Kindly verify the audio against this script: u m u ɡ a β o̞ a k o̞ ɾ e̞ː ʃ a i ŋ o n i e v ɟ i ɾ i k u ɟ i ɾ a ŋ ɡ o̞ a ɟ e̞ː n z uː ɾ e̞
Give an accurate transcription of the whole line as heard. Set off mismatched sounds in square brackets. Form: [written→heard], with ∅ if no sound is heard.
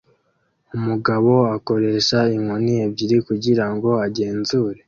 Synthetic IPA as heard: u m u ɡ a β o̞ a k o̞ ɾ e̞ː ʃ a i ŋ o n i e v ɟ i ɾ i k u ɟ i ɾ a ŋ ɡ o̞ a ɟ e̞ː n z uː ɾ e̞